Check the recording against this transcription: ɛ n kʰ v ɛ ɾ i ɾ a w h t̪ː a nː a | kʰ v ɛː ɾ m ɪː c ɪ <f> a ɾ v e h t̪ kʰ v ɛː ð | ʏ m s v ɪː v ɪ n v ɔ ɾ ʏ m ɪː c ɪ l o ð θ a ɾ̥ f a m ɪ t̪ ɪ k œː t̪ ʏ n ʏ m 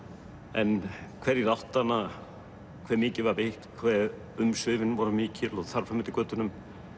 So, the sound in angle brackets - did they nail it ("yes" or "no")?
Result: no